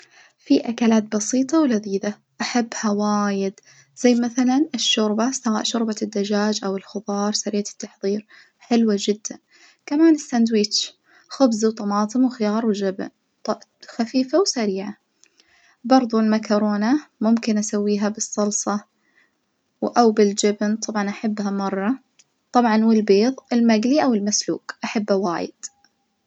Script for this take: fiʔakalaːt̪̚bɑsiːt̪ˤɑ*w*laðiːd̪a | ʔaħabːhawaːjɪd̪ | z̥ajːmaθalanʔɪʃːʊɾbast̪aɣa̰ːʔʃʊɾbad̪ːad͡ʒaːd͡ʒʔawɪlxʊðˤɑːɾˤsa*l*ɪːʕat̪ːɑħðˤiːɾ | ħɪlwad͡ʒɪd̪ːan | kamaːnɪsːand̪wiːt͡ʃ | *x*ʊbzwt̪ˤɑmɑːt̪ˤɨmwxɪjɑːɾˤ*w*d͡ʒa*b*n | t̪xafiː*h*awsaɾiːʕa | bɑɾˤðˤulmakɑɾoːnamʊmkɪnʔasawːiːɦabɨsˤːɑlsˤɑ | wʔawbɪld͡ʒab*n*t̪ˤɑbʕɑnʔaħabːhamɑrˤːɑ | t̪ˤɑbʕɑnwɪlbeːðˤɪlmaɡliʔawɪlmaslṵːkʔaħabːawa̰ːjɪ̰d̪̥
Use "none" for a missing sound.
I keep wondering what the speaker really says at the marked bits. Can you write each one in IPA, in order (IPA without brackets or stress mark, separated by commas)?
w, ɾ, x, w, b, f, n